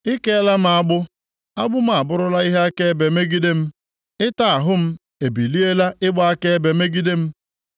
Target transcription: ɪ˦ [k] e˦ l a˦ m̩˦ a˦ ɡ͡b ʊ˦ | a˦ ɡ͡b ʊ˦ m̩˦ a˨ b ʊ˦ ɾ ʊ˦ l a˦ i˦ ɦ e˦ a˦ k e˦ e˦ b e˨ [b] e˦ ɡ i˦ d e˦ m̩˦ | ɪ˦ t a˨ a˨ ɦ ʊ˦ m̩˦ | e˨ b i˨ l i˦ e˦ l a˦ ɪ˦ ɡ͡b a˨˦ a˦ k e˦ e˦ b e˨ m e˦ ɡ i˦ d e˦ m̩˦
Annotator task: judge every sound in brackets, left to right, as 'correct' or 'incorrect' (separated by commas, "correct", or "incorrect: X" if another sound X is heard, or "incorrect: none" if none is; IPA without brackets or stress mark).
correct, incorrect: m